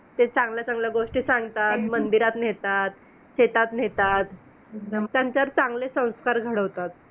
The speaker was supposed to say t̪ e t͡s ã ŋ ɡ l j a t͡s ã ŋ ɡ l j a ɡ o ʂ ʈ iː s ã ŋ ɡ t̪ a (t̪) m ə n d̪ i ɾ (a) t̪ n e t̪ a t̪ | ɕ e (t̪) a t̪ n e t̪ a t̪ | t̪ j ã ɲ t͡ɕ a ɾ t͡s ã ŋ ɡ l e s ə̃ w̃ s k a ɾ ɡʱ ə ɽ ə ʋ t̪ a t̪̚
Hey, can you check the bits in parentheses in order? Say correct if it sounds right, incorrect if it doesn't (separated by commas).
correct, correct, correct